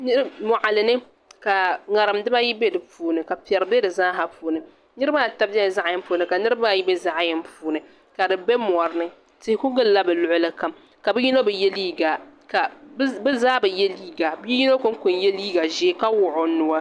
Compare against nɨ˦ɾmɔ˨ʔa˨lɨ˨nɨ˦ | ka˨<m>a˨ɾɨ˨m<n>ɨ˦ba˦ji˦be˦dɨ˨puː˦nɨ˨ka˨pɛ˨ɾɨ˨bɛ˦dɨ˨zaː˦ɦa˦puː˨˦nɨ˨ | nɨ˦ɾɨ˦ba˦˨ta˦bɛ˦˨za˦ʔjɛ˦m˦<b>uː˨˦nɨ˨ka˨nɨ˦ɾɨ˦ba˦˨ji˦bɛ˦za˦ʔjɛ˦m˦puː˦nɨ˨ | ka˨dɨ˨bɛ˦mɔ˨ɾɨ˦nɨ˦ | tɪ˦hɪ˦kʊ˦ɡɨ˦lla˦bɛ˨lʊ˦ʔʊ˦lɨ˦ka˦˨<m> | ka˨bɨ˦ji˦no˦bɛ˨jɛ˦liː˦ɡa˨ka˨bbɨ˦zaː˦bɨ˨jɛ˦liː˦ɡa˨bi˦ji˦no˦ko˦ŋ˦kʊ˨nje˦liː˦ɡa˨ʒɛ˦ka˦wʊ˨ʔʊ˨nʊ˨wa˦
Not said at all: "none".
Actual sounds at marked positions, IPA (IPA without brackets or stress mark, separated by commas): ŋ, d, p, m